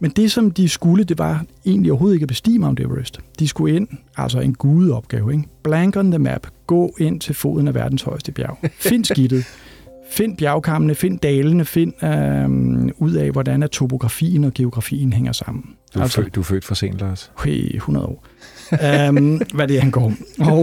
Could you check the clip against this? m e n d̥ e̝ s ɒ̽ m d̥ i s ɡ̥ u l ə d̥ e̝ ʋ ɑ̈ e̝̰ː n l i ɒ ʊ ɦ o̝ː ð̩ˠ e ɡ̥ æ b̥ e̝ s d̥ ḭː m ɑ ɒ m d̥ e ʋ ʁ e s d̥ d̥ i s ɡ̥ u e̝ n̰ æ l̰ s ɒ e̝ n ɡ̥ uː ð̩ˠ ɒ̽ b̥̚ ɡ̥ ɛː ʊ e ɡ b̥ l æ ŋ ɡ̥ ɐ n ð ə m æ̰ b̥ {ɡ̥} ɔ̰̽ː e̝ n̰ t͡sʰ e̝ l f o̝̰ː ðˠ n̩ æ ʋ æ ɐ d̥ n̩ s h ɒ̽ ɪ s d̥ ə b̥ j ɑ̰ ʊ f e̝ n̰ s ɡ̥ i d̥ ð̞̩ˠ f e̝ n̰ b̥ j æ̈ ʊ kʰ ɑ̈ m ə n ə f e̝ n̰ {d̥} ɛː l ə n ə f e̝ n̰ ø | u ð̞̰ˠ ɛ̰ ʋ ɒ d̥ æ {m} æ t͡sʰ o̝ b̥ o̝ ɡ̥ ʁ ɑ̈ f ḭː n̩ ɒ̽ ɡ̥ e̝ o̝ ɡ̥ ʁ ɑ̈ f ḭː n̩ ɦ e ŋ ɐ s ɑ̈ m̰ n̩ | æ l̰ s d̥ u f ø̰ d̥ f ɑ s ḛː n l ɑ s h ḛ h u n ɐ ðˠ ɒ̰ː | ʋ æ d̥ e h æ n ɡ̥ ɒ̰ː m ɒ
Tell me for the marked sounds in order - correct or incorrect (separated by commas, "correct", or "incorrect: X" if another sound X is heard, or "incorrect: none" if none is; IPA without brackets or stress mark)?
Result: correct, correct, incorrect: n